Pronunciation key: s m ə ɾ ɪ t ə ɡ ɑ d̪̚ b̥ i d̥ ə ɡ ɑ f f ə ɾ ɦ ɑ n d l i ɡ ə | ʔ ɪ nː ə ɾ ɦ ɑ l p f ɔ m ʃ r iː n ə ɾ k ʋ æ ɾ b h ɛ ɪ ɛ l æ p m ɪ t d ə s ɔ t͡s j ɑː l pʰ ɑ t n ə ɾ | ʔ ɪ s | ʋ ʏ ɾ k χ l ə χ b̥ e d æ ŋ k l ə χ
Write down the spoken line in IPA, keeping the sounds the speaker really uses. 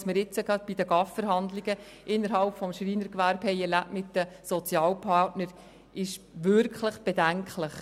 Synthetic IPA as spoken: s m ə ɾ ɪ t͡s ə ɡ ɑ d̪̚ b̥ i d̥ ə ɡ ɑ f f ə ɾ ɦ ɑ n d l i ɡ ə | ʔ ɪ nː ə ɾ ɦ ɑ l p f ɔ m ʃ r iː n ə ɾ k ʋ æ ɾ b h ɛ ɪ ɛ l æ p m ɪ t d ə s ɔ t͡s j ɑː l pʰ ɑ t n ə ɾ | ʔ ɪ ʃ | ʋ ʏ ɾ k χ l ə χ b̥ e d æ ŋ k l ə χ